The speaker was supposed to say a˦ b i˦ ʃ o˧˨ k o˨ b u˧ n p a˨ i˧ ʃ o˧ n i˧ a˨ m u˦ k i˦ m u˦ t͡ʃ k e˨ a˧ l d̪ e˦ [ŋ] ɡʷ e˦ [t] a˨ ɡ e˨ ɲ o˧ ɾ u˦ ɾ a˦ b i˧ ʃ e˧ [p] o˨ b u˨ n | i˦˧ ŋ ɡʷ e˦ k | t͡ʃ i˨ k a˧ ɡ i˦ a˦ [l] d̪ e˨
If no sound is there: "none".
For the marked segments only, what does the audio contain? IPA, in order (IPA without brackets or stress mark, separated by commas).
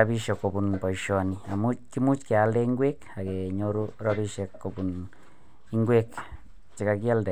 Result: ŋ, k, k, l